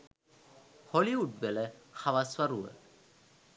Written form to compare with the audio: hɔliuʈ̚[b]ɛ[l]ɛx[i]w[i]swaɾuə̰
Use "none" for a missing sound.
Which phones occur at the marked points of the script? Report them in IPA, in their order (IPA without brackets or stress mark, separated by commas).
b, l, a, a